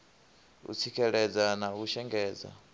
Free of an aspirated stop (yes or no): no